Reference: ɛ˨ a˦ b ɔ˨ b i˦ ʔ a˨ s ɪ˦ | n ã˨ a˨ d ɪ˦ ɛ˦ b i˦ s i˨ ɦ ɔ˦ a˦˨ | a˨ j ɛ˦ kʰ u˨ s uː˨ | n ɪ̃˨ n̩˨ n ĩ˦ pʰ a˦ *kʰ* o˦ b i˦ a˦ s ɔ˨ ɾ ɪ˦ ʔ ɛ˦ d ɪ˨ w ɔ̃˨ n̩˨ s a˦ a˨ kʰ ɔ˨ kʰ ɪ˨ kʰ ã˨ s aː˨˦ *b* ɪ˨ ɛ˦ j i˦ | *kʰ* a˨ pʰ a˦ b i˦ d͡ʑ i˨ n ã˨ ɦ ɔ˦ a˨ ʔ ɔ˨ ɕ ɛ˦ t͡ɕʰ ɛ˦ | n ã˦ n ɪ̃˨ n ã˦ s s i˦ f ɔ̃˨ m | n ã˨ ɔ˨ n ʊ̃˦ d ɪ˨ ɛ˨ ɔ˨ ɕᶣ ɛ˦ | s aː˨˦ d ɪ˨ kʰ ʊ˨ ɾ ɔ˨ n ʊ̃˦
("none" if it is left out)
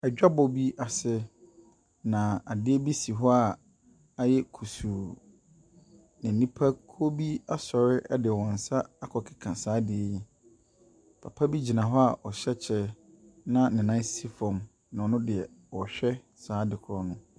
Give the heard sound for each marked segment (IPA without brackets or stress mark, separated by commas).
kʰ, d, pʰ